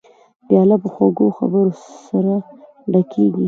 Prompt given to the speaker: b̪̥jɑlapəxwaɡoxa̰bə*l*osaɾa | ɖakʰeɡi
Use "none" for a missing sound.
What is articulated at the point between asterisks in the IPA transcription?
ɾ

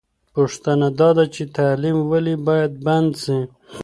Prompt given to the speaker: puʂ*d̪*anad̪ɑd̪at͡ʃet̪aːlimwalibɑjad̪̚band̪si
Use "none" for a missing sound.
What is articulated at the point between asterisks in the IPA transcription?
t̪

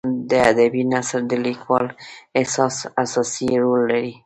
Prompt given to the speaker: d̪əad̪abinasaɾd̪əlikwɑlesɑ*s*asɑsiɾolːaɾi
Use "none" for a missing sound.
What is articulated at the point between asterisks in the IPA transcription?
s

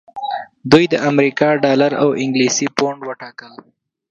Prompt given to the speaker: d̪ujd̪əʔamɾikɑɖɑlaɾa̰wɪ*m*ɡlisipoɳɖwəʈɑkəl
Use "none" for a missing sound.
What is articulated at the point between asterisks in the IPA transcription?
ŋ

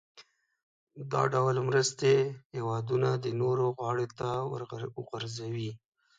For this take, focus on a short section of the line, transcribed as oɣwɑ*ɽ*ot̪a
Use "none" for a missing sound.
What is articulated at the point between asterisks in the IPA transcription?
ɽ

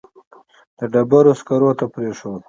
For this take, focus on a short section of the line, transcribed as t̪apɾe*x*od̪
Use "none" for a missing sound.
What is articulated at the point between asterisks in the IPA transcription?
ʂ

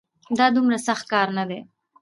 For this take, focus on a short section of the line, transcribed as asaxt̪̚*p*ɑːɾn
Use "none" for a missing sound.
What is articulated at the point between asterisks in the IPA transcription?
k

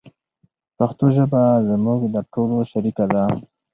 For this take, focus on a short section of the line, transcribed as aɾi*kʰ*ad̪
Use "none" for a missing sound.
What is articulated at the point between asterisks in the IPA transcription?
k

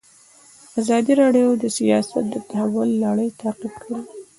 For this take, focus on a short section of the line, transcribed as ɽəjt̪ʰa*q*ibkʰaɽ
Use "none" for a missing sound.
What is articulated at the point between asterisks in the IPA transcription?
q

